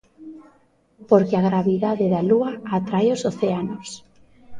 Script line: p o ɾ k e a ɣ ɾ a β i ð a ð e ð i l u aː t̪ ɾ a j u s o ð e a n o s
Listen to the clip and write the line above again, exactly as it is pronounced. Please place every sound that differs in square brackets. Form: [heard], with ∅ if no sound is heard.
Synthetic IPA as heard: p o ɾ k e a ɣ ɾ a β i ð a ð e ð [a] l u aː t̪ ɾ a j [o] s o [θ] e a n o s